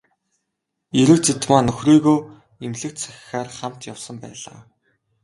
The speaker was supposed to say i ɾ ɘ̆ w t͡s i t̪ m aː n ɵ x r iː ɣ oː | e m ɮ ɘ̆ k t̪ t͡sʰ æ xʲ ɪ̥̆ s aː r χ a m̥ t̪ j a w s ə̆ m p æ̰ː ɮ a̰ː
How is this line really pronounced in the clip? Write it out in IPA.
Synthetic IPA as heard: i ɾ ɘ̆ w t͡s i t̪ m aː n ɵ x r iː ɣ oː | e m ɮ ɘ̆ k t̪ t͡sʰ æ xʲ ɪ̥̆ x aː r χ a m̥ t̪ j a w s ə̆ m p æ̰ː ɮ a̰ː